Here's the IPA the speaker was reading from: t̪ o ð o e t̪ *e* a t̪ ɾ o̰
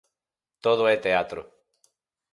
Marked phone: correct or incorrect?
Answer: correct